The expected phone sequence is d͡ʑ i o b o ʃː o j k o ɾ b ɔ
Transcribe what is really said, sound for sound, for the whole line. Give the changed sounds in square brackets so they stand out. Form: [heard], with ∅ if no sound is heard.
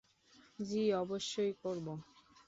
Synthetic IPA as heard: d͡ʑ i [ɔ] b o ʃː o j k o ɾ b [o]